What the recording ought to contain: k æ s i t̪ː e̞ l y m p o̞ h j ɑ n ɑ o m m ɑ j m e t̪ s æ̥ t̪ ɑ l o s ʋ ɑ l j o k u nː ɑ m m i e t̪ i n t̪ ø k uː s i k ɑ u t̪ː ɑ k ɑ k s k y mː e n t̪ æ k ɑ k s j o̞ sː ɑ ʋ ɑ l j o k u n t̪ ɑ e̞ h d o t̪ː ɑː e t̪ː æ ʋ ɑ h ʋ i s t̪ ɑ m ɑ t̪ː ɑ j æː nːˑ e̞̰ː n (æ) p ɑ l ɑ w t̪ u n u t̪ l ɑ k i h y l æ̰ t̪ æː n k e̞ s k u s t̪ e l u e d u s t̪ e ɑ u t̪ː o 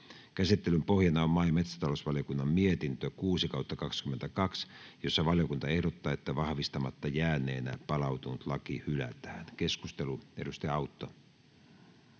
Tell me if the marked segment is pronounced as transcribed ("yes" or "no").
yes